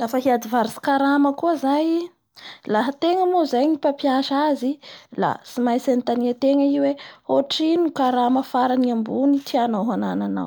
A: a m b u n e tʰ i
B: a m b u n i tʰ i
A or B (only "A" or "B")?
B